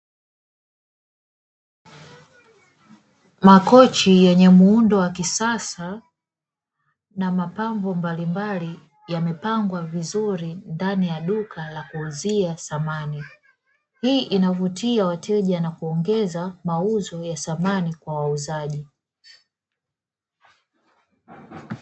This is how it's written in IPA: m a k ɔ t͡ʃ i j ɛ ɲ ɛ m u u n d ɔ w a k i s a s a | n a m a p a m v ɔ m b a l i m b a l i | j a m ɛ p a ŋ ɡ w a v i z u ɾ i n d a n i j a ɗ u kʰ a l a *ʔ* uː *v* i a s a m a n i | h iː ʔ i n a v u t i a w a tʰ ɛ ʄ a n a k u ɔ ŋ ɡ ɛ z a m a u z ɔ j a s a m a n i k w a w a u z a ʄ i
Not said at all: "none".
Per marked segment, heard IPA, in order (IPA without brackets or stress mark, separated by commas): k, z